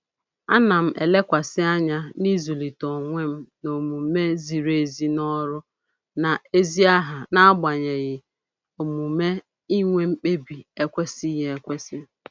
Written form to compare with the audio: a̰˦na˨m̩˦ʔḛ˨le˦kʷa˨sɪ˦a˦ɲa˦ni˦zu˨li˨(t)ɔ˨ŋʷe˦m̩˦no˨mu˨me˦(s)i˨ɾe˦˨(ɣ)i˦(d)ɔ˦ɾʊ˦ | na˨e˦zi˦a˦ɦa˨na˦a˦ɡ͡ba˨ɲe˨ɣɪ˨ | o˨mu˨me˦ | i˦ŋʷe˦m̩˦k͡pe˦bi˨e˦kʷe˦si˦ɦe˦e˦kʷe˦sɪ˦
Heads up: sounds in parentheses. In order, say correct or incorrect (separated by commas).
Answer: correct, incorrect, incorrect, incorrect